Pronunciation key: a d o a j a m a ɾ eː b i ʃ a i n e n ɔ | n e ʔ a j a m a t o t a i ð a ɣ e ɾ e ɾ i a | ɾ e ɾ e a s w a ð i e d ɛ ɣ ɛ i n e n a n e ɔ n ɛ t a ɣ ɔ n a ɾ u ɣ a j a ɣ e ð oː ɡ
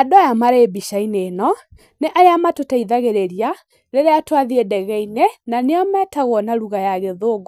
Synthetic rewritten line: a d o a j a m a ɾ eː b i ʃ a i n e n ɔ | n e ʔ a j a m a t o t a i ð a ɣ e ɾ e ɾ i a | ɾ e ɾ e a t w a ð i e d ɛ ɣ ɛ i n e n a n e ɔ m ɛ t a ɣ ɔ n a ɾ u ɣ a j a ɣ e ð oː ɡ